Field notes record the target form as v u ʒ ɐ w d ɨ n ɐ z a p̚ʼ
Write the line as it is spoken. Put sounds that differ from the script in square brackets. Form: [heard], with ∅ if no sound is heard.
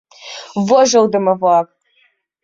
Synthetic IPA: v [ɔ] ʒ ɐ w d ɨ [m] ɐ [v] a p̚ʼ